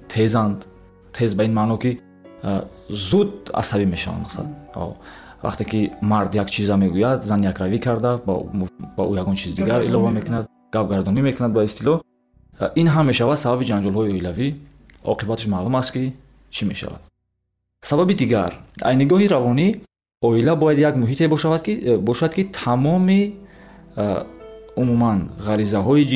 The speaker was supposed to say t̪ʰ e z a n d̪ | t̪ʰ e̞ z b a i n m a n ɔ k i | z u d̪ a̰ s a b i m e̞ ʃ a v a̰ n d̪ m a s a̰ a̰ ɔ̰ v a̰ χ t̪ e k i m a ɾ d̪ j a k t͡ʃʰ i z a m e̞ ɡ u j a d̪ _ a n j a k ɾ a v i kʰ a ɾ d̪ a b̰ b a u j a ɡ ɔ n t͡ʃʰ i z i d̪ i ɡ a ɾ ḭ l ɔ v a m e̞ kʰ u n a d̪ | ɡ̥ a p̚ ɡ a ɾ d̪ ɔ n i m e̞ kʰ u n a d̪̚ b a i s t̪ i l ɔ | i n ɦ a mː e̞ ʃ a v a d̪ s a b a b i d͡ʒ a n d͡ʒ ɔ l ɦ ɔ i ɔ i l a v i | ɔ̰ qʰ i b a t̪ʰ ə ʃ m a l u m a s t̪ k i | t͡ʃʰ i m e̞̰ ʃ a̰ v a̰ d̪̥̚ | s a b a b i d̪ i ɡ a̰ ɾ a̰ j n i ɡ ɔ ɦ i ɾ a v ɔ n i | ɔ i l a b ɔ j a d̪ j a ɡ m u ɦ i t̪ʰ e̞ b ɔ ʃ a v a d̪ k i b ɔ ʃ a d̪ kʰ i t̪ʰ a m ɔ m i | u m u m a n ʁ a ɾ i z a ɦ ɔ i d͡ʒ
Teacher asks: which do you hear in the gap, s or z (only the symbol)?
z